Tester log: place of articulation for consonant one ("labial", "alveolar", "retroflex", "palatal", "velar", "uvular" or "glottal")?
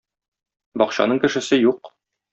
labial